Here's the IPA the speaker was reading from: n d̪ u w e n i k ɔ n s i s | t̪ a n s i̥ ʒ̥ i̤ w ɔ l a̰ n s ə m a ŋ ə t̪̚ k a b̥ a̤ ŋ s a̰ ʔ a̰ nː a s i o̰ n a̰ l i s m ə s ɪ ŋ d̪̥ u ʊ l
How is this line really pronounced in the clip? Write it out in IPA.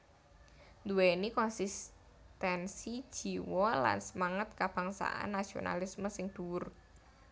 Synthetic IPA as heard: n d̪ u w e n i k ɔ n s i s | t̪ ɛ n s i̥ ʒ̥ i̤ w ɔ l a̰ n s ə m a ŋ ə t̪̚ k a b̥ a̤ ŋ s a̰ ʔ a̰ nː a s i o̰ n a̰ l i s m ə s ɪ ŋ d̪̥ u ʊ r